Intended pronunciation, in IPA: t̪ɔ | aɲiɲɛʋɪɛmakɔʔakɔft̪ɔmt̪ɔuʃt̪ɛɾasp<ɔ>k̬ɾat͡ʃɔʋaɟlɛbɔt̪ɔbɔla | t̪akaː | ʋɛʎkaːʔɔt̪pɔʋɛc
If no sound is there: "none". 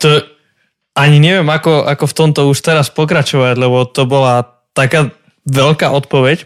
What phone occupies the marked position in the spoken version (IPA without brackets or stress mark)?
ɔ